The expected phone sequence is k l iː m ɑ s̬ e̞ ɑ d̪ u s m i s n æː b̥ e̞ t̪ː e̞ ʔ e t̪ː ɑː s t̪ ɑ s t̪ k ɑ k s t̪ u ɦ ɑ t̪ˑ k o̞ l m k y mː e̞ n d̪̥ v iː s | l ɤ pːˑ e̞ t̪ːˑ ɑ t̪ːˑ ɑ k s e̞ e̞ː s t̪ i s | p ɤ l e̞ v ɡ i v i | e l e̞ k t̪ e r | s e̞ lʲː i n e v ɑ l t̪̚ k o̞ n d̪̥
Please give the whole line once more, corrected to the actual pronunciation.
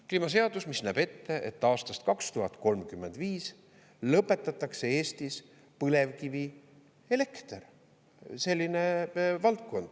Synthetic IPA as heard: k l iː m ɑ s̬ e̞ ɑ d̪ u s m i s n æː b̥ e̞ t̪ː e̞ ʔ e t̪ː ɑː s t̪ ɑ s t̪ k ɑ k s t̪ u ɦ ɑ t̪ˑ k o̞ l m k y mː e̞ n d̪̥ v iː s | l ɤ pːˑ e̞ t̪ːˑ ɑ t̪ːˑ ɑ k s e̞ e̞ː s t̪ i s | p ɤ l e̞ v k i v i | e l e̞ k t̪ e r | s e̞ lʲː i n e v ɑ l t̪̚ k o̞ n d̪̥